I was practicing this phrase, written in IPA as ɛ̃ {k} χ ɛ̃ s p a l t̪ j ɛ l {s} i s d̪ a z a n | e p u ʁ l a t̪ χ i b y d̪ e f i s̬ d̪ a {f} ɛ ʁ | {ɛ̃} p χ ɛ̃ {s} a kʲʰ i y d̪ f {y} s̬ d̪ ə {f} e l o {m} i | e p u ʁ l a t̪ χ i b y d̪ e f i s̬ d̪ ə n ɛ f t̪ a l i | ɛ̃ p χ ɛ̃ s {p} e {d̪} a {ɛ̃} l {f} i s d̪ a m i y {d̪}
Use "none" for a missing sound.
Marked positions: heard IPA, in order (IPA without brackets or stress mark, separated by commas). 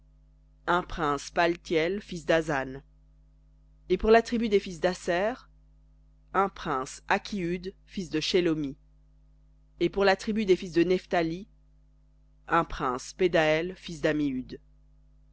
p, f, s, ɛ̃, s, i, ʃ, m, p, d̪, ɛ, f, d̪